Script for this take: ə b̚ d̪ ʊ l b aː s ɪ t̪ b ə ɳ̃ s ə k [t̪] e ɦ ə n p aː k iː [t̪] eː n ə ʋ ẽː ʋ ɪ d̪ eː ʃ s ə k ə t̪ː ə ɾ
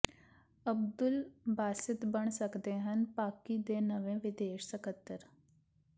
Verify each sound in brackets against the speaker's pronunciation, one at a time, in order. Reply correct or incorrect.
incorrect: d̪, incorrect: d̪

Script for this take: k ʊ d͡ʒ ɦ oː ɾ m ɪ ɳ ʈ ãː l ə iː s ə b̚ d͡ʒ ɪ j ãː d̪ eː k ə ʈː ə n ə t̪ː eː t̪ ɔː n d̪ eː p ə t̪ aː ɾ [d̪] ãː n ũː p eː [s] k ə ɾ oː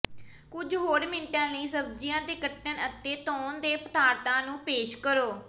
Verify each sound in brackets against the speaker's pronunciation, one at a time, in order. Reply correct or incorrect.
incorrect: t̪, incorrect: ʃ

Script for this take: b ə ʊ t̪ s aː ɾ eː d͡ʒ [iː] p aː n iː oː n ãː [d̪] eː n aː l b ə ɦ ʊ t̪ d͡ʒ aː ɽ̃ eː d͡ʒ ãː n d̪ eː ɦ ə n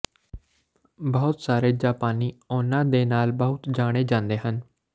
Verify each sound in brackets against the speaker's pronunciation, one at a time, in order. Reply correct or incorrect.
incorrect: aː, correct

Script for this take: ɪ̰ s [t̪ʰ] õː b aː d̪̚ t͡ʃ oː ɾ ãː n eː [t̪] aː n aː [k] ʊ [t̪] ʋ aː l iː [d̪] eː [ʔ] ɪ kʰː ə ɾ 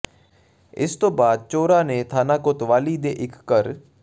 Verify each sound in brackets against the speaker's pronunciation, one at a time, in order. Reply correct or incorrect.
incorrect: t̪, incorrect: t̪ʰ, correct, correct, correct, correct

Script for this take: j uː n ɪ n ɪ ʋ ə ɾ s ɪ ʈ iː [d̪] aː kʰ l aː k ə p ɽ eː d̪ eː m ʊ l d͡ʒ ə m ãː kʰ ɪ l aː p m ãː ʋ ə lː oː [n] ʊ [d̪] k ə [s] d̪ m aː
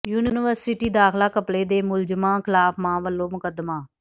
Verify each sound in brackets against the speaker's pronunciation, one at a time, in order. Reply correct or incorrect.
correct, incorrect: m, incorrect: none, incorrect: none

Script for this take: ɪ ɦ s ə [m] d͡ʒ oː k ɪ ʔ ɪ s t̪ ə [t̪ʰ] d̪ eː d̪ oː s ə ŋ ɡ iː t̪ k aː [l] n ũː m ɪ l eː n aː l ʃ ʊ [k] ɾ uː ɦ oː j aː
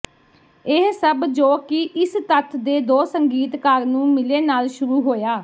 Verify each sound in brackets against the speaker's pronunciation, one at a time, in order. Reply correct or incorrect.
incorrect: b, correct, incorrect: ɾ, incorrect: none

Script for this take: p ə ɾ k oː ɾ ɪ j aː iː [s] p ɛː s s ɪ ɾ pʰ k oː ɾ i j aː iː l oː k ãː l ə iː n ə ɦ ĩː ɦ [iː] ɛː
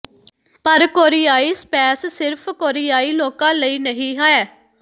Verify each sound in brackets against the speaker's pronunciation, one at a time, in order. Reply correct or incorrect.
correct, incorrect: aː

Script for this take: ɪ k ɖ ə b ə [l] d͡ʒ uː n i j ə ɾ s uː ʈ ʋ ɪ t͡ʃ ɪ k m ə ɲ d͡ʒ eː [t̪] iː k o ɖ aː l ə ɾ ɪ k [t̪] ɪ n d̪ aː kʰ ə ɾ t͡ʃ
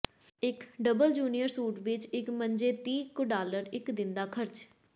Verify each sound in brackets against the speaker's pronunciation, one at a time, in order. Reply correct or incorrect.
correct, correct, incorrect: d̪

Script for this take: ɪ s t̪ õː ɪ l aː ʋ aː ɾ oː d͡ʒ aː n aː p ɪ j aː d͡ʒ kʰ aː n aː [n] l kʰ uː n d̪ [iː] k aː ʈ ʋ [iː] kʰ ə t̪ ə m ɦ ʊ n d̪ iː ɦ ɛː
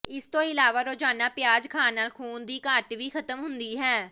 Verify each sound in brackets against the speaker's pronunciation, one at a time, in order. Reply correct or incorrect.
incorrect: none, correct, correct

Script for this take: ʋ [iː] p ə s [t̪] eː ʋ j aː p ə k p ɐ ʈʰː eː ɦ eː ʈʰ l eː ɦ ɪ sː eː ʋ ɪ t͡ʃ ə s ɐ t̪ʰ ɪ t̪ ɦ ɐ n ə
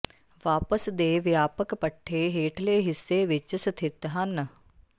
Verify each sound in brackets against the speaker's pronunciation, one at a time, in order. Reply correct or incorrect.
incorrect: aː, incorrect: d̪

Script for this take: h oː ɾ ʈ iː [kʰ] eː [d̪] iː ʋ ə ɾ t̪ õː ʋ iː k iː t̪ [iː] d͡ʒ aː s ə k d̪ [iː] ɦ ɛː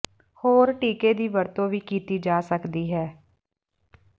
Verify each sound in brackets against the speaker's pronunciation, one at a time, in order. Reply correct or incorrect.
incorrect: k, correct, correct, correct

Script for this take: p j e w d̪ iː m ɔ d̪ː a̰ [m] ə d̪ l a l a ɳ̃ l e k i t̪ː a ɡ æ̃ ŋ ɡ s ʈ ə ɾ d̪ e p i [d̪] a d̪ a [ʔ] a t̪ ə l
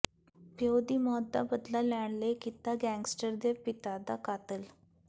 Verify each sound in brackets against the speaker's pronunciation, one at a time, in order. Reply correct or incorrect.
incorrect: b, incorrect: t̪, incorrect: k

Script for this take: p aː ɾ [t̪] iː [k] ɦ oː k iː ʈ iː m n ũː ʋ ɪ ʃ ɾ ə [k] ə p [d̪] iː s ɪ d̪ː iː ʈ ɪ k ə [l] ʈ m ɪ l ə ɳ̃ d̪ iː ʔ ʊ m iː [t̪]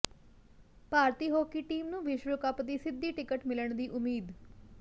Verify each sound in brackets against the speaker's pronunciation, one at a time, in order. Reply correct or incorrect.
correct, incorrect: none, correct, correct, incorrect: none, incorrect: d̪

